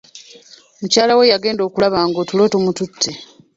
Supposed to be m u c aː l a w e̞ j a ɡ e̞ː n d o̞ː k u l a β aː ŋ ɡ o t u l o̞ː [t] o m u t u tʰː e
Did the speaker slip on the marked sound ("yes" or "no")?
no